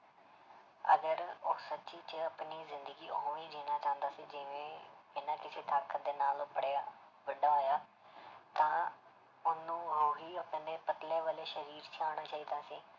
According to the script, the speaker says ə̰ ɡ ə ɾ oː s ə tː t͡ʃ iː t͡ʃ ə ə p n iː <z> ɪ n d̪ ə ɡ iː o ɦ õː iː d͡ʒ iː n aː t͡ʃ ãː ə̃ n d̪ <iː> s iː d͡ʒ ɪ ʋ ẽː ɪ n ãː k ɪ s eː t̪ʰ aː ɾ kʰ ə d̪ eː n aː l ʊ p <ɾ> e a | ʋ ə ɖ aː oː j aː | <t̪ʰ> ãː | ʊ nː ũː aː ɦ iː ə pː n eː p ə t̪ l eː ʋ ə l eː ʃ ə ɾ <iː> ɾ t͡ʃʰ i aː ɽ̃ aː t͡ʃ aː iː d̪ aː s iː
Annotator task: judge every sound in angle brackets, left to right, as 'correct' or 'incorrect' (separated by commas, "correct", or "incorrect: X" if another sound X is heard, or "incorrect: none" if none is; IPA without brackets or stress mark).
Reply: correct, incorrect: aː, incorrect: ɽ, incorrect: t̪, correct